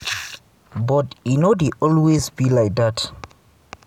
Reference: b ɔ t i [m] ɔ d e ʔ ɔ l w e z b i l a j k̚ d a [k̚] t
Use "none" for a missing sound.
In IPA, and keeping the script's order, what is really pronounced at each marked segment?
n, none

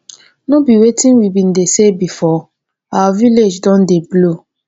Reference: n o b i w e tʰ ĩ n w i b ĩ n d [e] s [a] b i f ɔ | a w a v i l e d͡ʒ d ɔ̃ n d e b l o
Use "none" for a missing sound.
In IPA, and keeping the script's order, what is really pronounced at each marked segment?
e, e

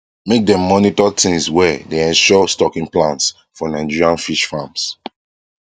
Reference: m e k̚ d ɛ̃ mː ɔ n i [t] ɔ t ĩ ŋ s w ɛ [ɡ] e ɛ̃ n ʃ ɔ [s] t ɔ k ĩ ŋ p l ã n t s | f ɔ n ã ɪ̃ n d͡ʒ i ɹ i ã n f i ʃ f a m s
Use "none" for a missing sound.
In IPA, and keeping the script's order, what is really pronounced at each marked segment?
t, d, s

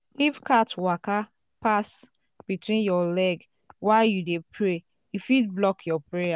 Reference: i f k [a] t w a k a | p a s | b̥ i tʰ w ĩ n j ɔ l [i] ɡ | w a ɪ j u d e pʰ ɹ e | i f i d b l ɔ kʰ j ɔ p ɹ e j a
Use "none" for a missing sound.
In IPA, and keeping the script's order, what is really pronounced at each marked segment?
a, ɛ

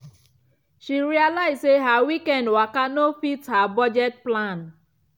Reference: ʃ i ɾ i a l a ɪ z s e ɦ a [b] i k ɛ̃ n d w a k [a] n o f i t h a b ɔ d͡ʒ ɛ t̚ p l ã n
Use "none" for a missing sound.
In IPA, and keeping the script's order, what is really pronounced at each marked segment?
w, a

